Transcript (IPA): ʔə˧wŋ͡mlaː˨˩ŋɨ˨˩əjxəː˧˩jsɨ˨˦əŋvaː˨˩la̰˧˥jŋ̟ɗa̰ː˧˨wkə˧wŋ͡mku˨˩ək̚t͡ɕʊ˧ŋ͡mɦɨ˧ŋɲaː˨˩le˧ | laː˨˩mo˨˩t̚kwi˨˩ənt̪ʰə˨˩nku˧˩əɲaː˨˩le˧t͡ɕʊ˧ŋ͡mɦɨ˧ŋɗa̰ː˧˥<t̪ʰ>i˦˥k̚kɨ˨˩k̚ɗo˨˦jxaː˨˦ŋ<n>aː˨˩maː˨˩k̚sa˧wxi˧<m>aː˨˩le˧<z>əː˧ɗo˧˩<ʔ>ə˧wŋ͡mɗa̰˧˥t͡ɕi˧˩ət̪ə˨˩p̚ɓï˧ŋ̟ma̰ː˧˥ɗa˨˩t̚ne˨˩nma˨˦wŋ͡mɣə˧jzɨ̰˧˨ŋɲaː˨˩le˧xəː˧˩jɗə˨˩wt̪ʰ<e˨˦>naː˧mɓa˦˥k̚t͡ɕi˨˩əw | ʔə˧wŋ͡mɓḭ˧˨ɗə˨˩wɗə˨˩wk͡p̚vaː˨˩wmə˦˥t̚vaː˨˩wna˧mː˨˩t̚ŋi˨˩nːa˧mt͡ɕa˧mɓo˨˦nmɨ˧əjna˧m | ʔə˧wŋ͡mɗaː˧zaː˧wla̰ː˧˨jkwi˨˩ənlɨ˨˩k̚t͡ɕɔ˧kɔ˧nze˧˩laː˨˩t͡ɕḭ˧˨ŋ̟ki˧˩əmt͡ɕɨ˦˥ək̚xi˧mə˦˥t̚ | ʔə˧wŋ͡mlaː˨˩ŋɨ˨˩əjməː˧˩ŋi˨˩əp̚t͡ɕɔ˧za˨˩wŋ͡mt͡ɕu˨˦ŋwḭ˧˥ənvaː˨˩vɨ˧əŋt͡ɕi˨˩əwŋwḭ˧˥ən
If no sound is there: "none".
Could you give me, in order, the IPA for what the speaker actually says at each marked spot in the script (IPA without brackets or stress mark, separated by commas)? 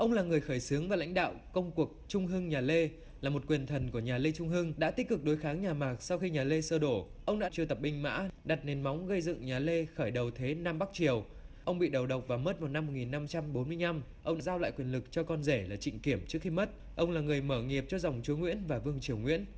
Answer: t̪, ɲ, ɲ, s, ʔ, e˨˦